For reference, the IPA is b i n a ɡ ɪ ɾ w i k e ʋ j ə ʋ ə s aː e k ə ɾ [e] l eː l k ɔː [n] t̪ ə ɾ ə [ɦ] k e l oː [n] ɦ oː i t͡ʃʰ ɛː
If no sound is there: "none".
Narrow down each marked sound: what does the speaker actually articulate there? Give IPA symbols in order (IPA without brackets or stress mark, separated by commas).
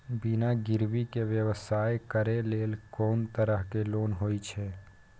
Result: e, n, ɦ, n